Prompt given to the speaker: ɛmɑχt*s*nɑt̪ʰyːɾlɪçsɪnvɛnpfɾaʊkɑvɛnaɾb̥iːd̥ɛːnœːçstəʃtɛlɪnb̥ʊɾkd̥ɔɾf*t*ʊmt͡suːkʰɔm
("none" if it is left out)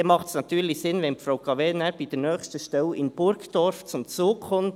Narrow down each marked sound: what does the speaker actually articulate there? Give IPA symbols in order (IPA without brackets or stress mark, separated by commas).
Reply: s, t͡s